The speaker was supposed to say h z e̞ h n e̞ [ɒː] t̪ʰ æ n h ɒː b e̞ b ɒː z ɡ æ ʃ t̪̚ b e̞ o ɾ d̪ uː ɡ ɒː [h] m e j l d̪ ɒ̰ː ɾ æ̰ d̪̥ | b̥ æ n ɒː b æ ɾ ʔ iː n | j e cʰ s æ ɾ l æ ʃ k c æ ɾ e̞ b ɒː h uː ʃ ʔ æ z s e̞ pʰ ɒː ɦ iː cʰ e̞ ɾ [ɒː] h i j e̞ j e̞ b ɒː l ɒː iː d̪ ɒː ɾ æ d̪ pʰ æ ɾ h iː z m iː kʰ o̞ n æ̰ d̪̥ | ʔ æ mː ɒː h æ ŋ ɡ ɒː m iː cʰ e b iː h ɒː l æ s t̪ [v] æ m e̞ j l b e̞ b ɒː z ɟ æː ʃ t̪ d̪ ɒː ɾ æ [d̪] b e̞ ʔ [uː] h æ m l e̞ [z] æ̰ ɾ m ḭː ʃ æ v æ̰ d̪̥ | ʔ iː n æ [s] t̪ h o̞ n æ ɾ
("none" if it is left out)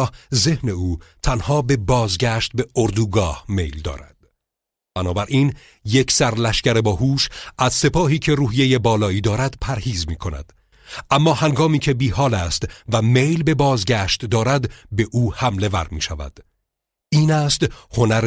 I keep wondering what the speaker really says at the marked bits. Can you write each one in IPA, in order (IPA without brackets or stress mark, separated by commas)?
uː, h, uː, v, d̪, uː, v, s